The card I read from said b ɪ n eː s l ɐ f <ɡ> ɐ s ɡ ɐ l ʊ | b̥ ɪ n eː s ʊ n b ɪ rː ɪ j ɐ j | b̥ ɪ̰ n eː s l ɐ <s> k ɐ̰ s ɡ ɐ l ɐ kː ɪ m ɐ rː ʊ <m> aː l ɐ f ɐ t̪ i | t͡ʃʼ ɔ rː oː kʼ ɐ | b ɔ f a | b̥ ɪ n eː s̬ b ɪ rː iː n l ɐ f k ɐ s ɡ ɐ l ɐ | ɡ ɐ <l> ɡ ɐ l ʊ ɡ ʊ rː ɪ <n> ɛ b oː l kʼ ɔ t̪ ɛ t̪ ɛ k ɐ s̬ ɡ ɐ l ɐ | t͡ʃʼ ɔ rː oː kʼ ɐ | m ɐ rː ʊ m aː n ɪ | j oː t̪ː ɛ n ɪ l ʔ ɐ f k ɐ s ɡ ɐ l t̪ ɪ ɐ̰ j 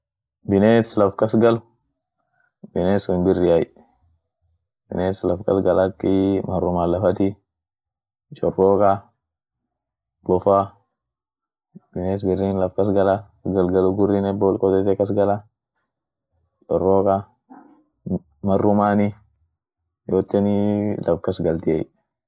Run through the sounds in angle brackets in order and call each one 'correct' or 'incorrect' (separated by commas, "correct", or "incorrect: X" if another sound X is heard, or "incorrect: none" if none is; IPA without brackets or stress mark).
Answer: incorrect: k, incorrect: f, correct, correct, correct